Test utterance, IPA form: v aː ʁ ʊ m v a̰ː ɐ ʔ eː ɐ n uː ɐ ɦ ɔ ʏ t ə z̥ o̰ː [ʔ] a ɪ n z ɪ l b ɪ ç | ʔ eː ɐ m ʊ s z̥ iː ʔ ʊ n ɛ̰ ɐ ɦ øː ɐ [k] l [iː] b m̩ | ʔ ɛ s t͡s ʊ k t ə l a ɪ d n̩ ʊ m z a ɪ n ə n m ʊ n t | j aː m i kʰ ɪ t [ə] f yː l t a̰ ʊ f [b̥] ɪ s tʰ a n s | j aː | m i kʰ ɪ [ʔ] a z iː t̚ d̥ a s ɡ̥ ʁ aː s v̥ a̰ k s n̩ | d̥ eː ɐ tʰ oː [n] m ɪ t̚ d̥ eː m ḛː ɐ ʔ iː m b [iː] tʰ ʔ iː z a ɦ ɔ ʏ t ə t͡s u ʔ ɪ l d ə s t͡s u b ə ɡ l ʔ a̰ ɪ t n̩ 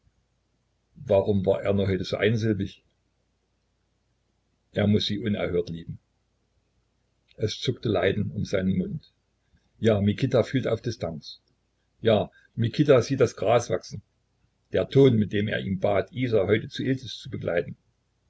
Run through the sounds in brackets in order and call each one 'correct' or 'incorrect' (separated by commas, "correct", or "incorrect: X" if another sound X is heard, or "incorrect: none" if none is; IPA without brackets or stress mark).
correct, incorrect: t, correct, incorrect: a, incorrect: d̥, incorrect: t, correct, incorrect: aː